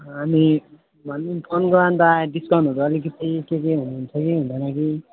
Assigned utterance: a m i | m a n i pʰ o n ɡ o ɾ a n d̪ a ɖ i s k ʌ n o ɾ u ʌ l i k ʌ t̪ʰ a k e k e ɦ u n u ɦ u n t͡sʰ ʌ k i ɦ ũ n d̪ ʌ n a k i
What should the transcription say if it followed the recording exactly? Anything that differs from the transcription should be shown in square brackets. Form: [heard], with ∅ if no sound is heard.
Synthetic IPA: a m i | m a n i pʰ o n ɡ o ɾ a n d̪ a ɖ i s k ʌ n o ɾ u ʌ l i k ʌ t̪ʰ [i] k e k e ɦ u n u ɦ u n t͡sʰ ʌ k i ɦ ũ n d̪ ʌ n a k i